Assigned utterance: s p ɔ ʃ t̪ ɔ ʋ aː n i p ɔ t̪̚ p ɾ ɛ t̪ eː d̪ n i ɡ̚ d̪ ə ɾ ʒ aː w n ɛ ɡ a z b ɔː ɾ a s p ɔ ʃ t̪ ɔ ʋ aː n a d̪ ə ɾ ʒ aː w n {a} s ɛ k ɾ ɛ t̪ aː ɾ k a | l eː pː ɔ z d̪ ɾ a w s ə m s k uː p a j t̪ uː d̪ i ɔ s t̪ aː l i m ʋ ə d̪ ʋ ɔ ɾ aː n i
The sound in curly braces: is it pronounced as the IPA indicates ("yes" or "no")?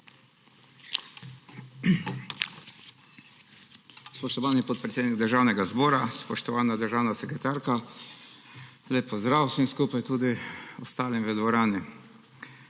yes